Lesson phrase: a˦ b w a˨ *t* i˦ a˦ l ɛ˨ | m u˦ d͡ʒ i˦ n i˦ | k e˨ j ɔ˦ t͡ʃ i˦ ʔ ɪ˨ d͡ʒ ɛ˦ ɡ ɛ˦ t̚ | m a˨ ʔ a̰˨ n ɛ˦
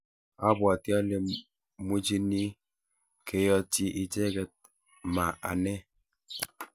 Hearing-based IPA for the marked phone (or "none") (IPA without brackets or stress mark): t